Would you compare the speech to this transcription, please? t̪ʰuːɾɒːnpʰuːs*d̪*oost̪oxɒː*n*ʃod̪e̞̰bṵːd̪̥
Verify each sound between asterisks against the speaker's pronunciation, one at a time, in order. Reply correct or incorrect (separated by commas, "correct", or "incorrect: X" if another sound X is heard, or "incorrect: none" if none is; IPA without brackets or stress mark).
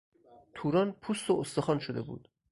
incorrect: t̪, correct